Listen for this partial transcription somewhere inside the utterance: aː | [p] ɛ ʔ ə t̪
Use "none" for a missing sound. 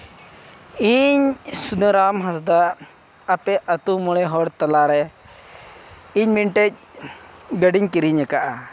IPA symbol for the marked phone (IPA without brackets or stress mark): p